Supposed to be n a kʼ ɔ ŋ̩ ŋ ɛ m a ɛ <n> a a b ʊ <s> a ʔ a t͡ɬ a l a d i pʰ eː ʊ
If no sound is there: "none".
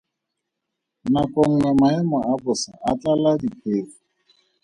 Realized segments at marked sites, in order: m, s

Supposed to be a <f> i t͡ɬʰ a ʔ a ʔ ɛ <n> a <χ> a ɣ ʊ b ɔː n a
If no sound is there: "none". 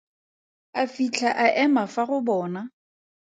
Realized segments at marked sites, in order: f, m, f

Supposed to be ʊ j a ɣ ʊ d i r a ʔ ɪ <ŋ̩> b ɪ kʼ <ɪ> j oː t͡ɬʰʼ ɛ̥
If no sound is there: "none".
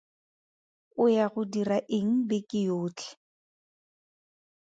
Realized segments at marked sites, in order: ŋ̩, ɪ

